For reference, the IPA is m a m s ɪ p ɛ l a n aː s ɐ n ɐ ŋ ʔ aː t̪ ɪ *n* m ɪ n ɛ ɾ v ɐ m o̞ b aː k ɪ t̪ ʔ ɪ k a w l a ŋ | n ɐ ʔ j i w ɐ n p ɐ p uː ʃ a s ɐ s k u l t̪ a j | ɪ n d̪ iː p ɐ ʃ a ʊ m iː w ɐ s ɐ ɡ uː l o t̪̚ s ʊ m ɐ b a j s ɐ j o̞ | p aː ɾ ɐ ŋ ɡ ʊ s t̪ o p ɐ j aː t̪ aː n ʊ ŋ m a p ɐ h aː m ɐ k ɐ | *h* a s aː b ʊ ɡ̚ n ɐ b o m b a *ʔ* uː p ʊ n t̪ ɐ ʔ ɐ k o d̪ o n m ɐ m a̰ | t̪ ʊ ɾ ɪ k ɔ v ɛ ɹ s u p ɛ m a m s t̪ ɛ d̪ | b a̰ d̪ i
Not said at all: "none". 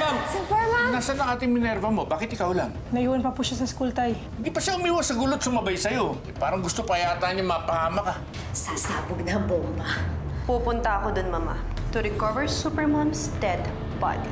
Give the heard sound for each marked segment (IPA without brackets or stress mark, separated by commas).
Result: ŋ, s, p